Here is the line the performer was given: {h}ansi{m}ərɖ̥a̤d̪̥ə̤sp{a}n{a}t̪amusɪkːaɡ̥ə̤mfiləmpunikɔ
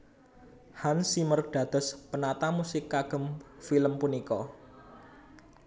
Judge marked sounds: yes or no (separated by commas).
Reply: yes, yes, no, yes